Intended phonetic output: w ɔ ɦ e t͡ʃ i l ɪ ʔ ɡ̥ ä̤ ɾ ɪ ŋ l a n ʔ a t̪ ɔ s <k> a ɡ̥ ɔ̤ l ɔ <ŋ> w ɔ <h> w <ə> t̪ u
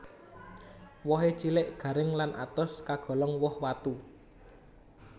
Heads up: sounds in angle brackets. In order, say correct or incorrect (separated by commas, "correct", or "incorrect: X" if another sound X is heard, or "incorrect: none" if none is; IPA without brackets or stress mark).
correct, correct, correct, incorrect: a